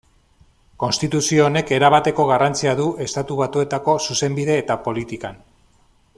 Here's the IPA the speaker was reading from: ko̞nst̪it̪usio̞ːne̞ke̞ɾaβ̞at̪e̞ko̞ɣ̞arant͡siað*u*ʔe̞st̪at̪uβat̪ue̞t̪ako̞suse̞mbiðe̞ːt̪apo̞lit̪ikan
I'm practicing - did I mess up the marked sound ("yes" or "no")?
no